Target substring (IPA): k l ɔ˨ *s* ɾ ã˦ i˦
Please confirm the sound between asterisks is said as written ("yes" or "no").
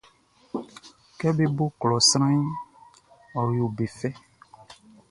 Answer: yes